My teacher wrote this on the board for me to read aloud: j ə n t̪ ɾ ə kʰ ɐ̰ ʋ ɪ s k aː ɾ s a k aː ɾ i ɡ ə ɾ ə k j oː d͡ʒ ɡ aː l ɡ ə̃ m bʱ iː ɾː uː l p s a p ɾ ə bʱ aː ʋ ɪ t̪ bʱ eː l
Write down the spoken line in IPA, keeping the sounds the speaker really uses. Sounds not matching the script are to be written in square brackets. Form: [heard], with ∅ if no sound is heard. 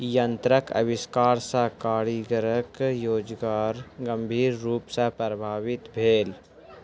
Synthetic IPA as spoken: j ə n t̪ ɾ ə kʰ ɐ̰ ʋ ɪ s k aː ɾ s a k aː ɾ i ɡ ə ɾ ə k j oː d͡ʒ ɡ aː [ɾ] ɡ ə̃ m bʱ iː ɾː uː [∅] p s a p ɾ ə bʱ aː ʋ ɪ t̪ bʱ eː l